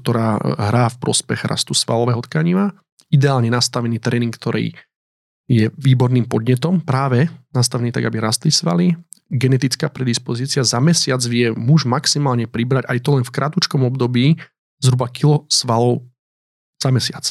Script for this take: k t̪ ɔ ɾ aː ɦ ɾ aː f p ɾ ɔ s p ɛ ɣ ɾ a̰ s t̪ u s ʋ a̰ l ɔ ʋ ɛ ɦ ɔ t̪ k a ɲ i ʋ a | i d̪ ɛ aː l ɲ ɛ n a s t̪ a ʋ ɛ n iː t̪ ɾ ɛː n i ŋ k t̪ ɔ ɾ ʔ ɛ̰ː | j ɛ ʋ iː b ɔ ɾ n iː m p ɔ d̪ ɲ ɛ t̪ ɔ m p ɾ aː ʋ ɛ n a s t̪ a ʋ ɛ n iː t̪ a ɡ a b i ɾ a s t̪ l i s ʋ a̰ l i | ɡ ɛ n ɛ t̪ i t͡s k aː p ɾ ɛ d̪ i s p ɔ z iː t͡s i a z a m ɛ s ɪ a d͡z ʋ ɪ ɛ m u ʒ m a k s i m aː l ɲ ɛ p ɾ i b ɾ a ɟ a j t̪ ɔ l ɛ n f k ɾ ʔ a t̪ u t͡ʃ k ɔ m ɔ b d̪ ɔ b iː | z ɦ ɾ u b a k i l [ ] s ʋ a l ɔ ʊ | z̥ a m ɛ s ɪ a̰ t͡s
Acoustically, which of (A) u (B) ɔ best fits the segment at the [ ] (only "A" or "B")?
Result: B